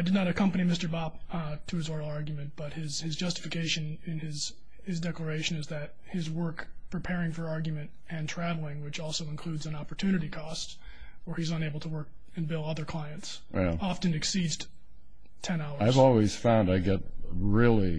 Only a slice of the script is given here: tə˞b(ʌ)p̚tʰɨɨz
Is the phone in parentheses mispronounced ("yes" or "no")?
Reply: yes